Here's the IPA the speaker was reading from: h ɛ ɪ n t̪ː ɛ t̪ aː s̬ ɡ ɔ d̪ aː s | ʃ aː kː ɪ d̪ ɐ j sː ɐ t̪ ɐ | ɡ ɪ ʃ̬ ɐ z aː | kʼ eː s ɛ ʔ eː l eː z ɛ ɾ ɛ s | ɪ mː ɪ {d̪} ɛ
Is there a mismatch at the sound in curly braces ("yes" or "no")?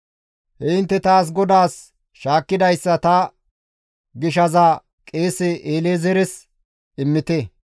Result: yes